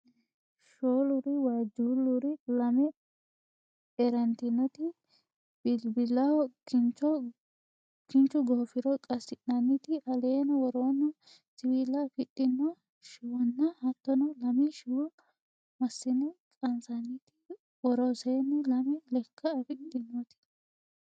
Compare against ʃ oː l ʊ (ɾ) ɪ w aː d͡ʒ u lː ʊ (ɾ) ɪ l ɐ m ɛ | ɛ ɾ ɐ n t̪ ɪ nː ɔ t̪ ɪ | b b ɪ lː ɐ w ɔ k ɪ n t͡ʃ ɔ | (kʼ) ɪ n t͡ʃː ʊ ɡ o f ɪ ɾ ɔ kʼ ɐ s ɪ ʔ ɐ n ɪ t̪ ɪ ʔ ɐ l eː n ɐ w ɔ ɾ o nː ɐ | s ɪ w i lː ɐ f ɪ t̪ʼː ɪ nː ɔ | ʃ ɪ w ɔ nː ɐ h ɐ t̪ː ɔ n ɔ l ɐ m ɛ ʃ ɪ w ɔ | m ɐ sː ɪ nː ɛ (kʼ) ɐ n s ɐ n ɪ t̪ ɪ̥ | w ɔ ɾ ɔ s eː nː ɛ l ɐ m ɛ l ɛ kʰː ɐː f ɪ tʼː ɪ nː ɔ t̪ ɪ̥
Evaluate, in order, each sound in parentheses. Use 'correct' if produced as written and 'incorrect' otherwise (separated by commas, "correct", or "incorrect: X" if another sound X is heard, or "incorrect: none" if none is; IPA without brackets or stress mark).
correct, correct, incorrect: k, correct